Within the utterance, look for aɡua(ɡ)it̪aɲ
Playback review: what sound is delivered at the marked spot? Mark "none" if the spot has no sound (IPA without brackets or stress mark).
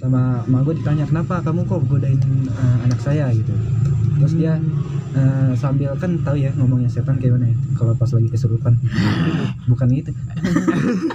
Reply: d